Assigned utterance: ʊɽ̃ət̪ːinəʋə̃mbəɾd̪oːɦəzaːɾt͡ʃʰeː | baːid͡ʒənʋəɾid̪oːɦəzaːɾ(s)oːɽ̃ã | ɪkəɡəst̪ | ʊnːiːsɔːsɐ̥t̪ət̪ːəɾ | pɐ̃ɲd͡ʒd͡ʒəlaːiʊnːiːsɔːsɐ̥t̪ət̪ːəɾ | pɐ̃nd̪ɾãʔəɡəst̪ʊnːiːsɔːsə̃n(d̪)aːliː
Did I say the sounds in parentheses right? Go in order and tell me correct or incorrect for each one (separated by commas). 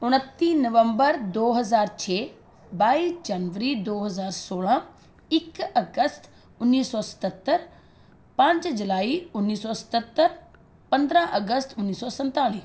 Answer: correct, incorrect